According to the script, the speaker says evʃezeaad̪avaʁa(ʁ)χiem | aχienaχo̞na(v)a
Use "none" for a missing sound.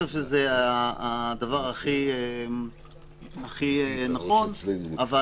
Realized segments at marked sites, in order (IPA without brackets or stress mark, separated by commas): none, v